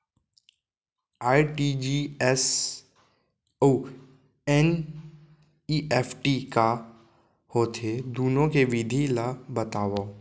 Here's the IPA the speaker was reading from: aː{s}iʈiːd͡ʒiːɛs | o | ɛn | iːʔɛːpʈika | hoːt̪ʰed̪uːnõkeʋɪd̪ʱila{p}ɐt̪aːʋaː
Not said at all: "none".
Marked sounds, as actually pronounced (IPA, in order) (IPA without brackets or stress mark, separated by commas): none, b